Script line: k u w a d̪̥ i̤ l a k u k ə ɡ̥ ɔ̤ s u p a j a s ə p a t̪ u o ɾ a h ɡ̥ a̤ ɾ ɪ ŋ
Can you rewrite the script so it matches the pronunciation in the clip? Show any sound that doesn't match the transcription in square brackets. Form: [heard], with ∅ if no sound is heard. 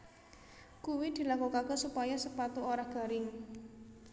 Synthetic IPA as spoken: k u w [i] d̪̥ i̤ l a k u k [a] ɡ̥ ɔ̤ s u p a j a s ə p a t̪ u o ɾ a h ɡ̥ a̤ ɾ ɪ ŋ